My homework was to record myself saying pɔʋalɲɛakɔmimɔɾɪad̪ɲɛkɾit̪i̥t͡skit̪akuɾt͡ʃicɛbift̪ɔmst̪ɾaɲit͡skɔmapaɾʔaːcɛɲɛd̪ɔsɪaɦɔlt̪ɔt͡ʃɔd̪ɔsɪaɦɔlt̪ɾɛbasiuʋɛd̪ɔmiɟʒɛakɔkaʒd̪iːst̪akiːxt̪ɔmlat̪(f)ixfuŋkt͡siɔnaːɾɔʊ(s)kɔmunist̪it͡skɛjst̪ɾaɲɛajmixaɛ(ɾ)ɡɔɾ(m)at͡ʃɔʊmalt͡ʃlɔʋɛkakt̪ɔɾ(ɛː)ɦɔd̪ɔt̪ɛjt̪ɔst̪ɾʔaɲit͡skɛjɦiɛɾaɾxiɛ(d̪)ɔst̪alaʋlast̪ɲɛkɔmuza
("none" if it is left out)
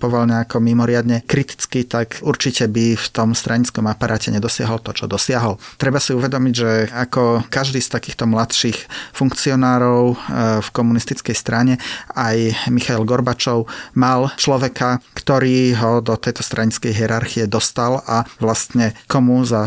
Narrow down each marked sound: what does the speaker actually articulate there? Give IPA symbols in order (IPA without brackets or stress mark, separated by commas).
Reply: ʃ, f, l, b, iː, d̪